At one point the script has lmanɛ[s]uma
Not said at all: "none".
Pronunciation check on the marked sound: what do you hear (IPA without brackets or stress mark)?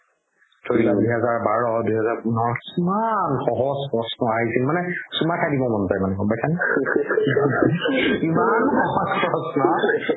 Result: s